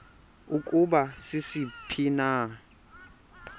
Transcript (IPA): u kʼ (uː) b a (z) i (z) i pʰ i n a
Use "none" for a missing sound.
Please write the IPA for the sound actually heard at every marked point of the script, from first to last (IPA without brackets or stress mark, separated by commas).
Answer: u, s, s